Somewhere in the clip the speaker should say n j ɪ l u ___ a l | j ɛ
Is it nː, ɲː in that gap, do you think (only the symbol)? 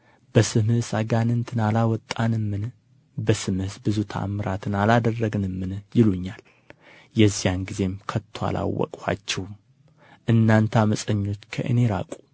ɲː